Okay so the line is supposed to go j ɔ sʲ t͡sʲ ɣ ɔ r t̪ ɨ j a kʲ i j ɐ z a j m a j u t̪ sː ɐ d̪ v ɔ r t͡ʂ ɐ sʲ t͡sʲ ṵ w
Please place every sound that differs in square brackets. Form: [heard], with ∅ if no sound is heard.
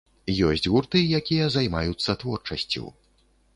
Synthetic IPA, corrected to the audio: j ɔ sʲ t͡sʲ ɣ [u] r t̪ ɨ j a kʲ i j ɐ z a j m a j u t̪ sː ɐ [t̪] v ɔ r t͡ʂ ɐ sʲ t͡sʲ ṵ w